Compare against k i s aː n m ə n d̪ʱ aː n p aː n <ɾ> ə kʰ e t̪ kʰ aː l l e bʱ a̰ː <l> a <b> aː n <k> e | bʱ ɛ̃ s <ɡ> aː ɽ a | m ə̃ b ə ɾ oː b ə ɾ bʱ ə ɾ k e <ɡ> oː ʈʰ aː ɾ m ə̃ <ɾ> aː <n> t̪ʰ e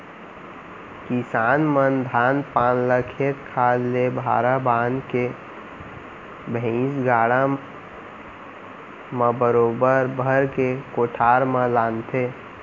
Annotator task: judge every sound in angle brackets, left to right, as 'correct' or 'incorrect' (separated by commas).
incorrect, incorrect, correct, correct, correct, incorrect, incorrect, correct